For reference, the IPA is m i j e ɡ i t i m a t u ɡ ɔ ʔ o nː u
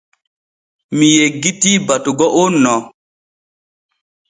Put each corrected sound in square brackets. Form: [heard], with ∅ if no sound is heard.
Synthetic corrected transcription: m i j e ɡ i t i [b] a t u ɡ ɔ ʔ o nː [ɔ]